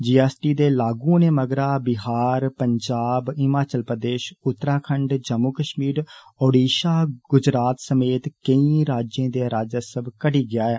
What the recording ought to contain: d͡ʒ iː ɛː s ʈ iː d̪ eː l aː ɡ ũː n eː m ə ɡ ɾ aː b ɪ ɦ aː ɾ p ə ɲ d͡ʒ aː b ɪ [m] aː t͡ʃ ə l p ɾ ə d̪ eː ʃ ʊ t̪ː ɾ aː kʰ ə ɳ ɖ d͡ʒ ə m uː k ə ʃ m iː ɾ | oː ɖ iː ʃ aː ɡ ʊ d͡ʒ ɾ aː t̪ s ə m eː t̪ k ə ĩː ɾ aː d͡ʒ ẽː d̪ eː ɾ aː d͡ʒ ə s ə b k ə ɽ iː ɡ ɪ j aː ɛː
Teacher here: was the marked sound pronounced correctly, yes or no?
yes